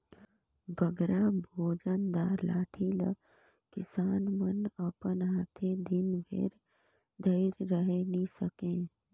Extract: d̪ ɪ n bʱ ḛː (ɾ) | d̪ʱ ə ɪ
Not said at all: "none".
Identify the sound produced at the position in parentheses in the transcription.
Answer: ɾ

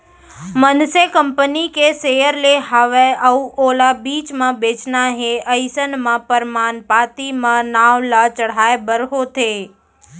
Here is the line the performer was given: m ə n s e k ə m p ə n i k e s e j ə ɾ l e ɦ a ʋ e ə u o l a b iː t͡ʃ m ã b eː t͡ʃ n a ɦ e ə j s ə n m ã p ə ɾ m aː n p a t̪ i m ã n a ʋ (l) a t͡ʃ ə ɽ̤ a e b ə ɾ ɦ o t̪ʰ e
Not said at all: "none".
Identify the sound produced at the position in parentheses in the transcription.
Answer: l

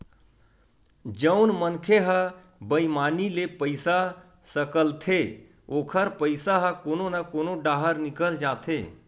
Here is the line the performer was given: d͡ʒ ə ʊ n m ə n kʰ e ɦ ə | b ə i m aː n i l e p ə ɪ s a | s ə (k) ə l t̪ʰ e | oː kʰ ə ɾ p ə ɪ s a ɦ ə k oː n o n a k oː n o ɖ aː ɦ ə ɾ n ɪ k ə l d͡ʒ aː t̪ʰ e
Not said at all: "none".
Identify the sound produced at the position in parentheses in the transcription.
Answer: k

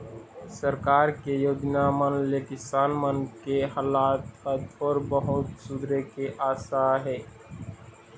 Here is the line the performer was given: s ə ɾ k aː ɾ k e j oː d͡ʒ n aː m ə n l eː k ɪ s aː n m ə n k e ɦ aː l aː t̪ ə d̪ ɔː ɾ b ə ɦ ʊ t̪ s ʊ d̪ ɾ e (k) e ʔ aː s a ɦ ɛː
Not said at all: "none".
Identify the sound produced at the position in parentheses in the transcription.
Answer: k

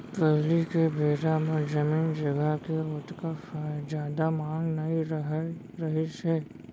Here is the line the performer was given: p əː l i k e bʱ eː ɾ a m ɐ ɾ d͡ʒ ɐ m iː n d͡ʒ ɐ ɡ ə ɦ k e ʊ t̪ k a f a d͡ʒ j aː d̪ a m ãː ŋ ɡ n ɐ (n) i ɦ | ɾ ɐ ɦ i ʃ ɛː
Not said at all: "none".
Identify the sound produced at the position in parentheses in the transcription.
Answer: none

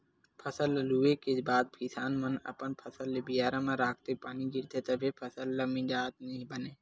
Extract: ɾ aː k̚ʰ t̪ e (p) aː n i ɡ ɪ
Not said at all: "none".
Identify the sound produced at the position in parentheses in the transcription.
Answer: p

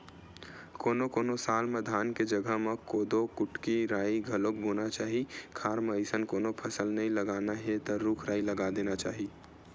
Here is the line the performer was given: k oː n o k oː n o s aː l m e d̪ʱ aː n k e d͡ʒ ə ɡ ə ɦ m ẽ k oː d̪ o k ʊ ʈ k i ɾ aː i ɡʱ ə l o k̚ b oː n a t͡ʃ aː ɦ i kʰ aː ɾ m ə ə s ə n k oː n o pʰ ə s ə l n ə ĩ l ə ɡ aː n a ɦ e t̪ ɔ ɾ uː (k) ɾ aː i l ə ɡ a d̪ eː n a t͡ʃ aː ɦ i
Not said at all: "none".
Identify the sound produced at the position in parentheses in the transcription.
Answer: kʰ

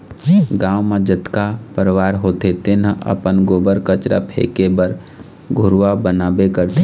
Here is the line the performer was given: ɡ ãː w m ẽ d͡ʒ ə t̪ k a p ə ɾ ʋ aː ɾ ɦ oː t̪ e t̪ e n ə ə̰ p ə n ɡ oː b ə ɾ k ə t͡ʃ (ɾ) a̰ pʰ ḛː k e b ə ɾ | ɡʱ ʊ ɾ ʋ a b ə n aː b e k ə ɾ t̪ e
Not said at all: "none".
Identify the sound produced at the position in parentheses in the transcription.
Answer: ɾ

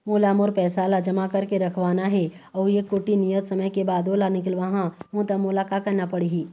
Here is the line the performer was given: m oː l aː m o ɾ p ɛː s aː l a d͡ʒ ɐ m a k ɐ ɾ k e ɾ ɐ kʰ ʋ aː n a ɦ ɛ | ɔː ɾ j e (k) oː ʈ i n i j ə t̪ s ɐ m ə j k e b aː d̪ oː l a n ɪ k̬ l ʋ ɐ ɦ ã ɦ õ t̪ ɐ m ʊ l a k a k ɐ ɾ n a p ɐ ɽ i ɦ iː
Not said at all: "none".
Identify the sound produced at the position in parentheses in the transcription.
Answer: k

